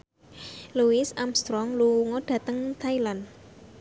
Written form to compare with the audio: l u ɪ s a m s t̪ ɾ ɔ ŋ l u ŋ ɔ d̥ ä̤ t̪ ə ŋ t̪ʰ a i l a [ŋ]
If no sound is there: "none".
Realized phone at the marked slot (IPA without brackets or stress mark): n